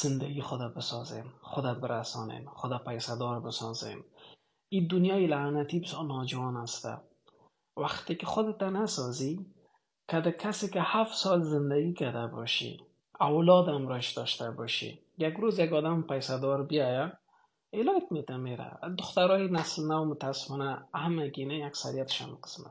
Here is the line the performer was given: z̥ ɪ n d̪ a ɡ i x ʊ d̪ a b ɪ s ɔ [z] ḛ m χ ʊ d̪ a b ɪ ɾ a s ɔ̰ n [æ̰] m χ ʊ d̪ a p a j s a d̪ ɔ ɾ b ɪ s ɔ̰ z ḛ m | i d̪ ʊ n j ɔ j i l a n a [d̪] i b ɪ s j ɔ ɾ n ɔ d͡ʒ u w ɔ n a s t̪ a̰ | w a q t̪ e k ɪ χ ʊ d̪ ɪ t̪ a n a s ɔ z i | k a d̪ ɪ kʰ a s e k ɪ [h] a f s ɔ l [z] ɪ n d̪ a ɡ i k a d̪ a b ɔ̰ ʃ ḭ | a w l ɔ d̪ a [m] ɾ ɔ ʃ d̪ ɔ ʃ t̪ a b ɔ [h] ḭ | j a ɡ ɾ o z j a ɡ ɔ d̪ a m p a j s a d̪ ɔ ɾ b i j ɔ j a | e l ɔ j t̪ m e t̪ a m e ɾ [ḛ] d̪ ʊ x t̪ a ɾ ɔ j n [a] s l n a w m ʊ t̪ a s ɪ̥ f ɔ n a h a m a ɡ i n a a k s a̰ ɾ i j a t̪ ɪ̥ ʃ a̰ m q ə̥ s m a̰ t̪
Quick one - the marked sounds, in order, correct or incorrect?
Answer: correct, incorrect: ḛ, incorrect: t̪, correct, correct, correct, incorrect: ʃ, incorrect: a̰, correct

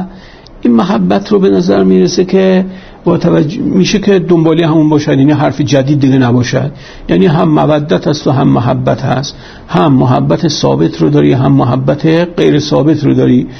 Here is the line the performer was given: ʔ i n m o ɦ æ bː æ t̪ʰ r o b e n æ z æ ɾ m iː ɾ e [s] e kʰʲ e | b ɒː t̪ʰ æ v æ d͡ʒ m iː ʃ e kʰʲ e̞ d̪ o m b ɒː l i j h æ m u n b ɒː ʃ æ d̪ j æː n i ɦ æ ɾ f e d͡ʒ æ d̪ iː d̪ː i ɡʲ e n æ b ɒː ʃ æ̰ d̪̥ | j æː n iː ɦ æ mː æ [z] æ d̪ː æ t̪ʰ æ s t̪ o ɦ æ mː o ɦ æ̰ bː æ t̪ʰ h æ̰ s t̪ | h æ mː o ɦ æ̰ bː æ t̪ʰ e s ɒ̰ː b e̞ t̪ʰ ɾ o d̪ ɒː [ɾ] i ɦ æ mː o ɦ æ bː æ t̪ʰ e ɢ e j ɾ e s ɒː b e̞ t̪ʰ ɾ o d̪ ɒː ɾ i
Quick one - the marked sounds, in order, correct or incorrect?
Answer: correct, incorrect: v, correct

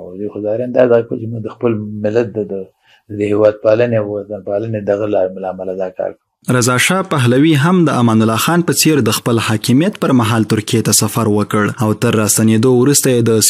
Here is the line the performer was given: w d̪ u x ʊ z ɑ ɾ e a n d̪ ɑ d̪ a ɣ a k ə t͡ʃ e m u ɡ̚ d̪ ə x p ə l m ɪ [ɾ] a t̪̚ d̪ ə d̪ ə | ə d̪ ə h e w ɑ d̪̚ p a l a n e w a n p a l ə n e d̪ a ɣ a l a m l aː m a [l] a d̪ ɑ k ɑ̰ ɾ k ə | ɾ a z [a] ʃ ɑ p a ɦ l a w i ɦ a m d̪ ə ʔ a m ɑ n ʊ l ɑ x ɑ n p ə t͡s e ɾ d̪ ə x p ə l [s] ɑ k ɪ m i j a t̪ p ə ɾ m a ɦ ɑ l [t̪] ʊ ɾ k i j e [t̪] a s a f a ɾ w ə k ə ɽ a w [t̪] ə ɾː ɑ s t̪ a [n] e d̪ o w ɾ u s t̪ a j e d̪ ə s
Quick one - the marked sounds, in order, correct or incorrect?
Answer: incorrect: l, correct, incorrect: ɑ, incorrect: h, correct, correct, correct, correct

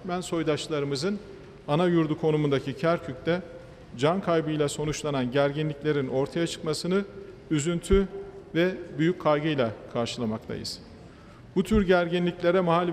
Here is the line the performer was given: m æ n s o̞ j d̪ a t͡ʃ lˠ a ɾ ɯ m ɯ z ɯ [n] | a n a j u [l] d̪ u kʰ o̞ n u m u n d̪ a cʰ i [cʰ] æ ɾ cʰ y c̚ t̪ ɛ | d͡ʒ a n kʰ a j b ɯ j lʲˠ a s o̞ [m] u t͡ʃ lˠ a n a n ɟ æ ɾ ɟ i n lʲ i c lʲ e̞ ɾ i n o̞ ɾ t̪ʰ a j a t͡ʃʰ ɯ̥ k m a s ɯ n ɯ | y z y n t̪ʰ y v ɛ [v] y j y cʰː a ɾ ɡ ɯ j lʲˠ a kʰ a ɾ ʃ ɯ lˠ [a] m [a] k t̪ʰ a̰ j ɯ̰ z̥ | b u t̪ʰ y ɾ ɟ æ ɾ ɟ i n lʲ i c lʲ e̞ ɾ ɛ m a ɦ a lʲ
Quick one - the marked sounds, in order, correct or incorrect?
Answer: correct, incorrect: ɾ, correct, incorrect: n, incorrect: b, correct, correct

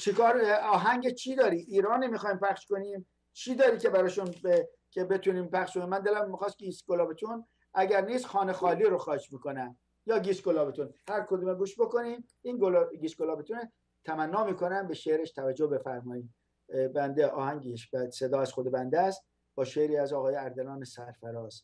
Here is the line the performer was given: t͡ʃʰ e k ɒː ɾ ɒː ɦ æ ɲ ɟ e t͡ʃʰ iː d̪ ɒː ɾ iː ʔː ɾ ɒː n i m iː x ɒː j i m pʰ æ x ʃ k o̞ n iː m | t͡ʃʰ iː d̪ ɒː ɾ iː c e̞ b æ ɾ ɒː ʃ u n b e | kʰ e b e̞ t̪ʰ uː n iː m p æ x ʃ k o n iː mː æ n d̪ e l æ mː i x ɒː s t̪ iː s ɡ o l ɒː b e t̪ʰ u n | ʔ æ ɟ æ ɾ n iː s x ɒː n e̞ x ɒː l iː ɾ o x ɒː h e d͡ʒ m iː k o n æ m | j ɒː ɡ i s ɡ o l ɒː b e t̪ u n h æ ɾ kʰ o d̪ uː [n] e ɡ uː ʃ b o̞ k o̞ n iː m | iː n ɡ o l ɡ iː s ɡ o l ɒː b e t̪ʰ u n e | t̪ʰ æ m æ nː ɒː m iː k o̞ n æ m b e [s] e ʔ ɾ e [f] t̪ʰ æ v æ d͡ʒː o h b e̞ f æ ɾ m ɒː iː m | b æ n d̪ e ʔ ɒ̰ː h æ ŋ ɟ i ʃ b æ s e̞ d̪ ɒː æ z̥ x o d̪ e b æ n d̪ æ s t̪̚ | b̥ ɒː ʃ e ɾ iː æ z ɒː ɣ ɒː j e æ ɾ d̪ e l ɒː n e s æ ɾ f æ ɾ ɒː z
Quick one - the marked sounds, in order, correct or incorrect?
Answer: incorrect: m, incorrect: ʃ, incorrect: ʃ

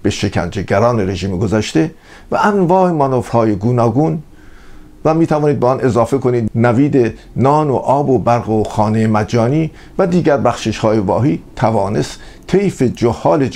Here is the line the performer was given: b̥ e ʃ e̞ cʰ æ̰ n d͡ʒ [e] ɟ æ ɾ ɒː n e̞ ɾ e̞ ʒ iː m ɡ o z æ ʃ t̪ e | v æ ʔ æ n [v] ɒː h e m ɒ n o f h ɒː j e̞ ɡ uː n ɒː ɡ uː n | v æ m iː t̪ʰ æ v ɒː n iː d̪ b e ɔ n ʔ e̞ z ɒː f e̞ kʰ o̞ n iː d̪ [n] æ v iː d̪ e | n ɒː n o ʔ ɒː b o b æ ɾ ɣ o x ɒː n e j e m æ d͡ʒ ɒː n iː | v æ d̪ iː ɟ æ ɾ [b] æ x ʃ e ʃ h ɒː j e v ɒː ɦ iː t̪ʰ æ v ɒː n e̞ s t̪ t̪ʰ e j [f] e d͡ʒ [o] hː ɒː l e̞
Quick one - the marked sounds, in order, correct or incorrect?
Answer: correct, correct, correct, correct, correct, correct

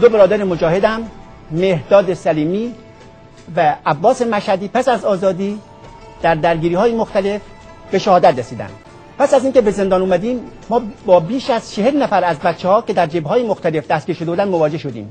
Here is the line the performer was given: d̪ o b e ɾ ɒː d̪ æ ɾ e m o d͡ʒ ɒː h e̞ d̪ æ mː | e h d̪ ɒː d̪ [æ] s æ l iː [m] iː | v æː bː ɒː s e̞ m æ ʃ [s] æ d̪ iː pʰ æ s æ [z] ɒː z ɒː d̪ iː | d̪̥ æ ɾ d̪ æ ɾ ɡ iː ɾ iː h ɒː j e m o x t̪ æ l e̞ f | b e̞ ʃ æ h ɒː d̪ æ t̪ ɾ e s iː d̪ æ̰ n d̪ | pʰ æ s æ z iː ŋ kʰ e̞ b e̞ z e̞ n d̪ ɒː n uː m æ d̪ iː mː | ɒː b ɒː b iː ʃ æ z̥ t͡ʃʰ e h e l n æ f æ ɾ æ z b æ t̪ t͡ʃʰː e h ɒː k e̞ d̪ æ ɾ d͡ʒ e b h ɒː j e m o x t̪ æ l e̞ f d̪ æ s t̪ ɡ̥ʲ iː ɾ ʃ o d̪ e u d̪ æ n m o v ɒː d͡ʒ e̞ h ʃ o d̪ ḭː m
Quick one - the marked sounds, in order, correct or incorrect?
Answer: incorrect: e, correct, incorrect: h, correct

